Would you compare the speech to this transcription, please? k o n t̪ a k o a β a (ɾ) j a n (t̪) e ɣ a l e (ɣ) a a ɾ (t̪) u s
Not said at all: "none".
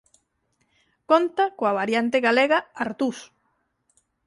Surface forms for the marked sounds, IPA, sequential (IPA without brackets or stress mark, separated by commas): ɾ, t̪, ɣ, t̪